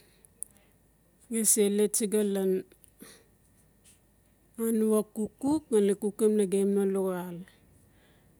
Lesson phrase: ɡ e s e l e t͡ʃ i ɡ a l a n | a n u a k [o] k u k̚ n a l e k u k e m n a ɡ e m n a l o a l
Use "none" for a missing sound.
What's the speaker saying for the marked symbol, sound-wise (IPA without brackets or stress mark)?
u